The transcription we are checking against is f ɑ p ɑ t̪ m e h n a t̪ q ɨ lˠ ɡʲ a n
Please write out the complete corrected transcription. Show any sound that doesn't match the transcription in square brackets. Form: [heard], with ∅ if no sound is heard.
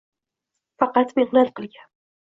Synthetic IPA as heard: f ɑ [q] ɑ t̪ m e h n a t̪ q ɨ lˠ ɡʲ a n